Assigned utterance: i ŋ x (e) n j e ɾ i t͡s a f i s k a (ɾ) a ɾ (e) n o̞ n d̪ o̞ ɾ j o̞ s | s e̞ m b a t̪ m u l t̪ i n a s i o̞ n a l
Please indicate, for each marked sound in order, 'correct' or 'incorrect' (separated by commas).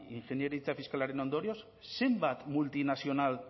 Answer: correct, incorrect, correct